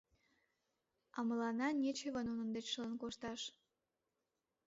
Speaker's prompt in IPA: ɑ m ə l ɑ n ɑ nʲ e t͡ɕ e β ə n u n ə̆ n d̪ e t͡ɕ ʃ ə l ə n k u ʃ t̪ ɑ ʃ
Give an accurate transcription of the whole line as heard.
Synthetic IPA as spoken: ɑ m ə l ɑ n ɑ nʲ e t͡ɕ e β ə n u n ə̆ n d̪ e t͡ɕ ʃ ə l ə n k o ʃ t̪ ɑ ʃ